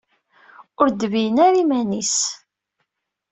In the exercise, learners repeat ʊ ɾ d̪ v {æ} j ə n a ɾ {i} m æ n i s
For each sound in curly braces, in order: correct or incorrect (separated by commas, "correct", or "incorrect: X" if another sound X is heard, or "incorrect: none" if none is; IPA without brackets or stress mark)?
incorrect: i, correct